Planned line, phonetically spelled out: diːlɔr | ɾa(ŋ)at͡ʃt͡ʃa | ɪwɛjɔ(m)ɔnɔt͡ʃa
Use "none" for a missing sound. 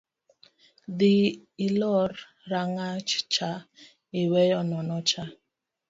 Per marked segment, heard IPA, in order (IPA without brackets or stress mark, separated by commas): ŋ, n